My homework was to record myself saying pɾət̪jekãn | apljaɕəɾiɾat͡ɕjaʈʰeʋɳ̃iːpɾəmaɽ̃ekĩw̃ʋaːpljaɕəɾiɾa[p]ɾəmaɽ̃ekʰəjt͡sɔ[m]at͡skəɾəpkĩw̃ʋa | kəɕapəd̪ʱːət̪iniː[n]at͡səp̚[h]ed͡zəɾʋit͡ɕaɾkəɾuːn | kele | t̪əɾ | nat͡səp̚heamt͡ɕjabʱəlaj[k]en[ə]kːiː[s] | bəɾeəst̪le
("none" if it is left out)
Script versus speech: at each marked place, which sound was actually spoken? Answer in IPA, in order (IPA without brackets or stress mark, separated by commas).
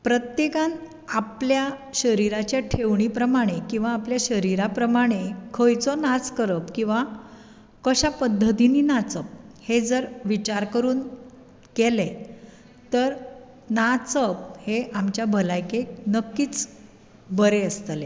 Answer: p, n, n, h, k, ə, t͡s